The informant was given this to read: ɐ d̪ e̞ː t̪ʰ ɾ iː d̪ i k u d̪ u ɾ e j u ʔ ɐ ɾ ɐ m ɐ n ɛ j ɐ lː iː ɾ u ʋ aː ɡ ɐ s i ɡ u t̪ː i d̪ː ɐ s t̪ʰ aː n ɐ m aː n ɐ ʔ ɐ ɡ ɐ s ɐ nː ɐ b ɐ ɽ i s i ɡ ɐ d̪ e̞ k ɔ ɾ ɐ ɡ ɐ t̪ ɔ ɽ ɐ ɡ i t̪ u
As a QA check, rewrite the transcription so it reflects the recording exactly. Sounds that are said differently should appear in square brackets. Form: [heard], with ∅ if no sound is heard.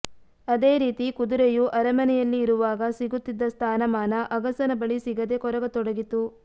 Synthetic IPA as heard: ɐ d̪ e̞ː [∅] ɾ iː [t̪] i k u d̪ u ɾ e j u ʔ ɐ ɾ ɐ m ɐ n ɛ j ɐ lː iː ɾ u ʋ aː ɡ ɐ s i ɡ u t̪ː i d̪ː ɐ s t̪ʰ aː n ɐ m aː n ɐ ʔ ɐ ɡ ɐ s ɐ [n] ɐ b ɐ [ɭ] i s i ɡ ɐ d̪ e̞ k ɔ ɾ ɐ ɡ ɐ t̪ ɔ ɽ ɐ ɡ i t̪ u

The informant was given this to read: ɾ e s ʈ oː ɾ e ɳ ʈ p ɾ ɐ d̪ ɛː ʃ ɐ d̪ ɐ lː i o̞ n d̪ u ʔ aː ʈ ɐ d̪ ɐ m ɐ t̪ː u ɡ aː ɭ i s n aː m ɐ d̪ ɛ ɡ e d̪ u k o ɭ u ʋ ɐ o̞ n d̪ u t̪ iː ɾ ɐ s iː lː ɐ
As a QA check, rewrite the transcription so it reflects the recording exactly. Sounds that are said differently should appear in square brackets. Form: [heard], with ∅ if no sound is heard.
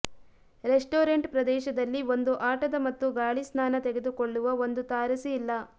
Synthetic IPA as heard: ɾ e s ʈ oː ɾ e ɳ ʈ p ɾ ɐ d̪ ɛː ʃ ɐ d̪ ɐ lː i o̞ n d̪ u ʔ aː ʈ ɐ d̪ ɐ m ɐ t̪ː u ɡ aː ɭ i s n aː [n] ɐ [t̪] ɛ ɡ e d̪ u k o [ɭː] u ʋ ɐ o̞ n d̪ u t̪ [aː] ɾ ɐ s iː lː ɐ

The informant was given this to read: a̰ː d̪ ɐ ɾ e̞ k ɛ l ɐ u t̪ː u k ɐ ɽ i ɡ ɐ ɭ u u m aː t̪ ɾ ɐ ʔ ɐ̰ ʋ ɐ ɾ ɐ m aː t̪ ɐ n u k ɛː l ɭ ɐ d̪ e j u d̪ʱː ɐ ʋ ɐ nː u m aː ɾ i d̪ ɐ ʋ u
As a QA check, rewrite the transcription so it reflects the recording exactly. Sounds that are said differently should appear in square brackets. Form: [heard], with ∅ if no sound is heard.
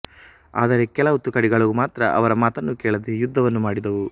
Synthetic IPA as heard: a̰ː d̪ ɐ ɾ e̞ k ɛ l ɐ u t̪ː u k ɐ ɽ i ɡ ɐ ɭ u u m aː t̪ ɾ ɐ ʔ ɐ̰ ʋ ɐ ɾ ɐ m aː t̪ ɐ [nː] u k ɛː [∅] ɭ ɐ d̪ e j u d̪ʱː ɐ ʋ ɐ nː u m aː [ɽ] i d̪ ɐ ʋ u

